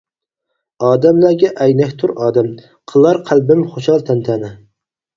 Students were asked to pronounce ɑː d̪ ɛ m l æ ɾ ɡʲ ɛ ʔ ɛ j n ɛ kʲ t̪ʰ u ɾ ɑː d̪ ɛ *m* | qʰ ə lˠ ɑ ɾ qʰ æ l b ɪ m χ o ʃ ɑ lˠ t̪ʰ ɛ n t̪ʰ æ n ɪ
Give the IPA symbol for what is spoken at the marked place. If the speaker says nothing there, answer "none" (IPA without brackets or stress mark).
m